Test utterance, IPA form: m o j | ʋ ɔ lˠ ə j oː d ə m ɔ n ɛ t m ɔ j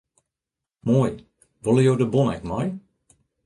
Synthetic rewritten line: m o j | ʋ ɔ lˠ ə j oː d ə b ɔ n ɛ k m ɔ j